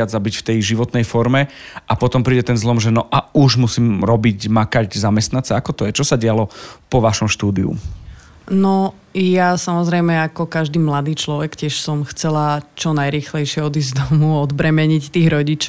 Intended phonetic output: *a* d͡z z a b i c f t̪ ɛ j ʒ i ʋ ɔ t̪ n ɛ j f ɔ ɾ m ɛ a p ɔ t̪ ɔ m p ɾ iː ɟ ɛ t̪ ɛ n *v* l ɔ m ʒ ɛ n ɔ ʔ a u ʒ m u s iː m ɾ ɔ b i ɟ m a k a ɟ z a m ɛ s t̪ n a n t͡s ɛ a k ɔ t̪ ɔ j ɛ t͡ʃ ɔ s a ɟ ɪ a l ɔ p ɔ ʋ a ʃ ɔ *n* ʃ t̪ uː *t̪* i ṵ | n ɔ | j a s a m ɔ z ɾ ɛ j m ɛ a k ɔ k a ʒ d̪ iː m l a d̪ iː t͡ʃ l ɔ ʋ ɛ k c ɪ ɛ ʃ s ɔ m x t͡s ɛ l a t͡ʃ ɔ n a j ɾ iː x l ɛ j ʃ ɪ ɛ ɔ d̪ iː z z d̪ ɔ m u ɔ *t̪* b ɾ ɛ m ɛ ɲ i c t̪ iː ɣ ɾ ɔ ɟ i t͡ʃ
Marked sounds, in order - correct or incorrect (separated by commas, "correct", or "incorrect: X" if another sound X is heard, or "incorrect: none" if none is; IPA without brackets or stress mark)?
correct, incorrect: z, incorrect: m, incorrect: d̪, incorrect: d̪